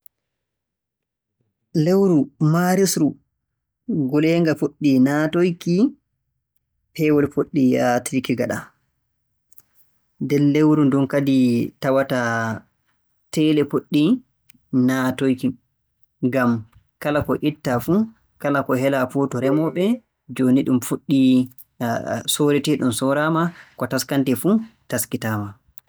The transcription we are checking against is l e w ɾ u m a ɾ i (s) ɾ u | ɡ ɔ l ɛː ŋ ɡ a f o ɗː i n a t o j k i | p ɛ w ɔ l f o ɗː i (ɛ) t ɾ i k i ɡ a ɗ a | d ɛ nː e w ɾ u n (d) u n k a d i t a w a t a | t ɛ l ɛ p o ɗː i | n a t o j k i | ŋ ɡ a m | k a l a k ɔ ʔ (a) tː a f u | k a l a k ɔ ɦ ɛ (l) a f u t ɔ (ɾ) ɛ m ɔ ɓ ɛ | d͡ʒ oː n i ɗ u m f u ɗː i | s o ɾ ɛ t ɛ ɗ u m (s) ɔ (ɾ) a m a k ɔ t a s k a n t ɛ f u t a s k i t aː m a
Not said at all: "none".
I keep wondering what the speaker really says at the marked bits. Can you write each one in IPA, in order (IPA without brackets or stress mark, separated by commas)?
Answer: s, a, d, i, l, ɾ, s, ɾ